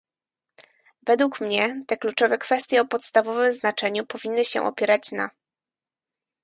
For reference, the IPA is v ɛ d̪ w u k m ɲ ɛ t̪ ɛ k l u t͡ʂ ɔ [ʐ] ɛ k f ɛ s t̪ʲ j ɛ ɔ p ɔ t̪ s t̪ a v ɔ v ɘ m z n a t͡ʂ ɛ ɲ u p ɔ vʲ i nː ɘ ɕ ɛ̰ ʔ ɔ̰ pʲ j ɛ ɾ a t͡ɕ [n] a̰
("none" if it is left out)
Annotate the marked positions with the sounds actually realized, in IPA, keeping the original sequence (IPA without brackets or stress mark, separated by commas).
v, n